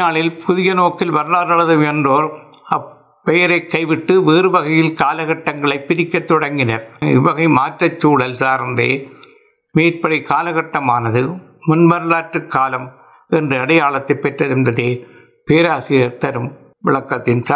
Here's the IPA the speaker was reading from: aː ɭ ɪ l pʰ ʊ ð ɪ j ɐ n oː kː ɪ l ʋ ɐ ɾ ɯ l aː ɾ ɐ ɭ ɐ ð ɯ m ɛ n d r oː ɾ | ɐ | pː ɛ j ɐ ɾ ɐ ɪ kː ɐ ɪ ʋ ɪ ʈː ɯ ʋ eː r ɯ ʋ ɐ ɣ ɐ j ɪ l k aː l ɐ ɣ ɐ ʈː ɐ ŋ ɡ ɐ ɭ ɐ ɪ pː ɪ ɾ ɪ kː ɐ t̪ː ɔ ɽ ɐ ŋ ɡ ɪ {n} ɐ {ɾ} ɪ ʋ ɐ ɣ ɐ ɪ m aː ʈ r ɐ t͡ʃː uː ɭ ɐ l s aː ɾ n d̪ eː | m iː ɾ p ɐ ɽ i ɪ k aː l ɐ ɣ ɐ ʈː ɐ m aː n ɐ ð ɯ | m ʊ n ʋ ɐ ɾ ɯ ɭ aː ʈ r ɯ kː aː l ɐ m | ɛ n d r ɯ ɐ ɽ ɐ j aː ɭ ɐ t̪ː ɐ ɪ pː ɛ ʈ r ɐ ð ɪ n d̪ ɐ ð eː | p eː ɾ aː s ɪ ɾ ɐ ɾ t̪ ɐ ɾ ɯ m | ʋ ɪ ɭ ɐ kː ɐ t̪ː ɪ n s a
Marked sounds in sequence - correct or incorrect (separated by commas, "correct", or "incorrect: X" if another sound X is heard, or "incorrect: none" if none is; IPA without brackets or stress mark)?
correct, correct